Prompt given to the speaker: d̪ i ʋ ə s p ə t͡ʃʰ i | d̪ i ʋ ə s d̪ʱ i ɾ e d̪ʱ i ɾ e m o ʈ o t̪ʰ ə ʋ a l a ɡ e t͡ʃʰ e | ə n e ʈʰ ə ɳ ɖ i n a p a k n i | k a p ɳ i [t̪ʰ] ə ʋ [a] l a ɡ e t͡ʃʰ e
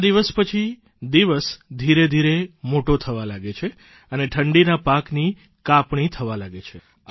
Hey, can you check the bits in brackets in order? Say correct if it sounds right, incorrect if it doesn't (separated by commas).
correct, correct